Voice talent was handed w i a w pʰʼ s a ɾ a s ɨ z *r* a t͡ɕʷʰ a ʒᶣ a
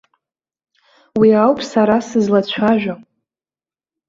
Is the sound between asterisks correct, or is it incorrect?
incorrect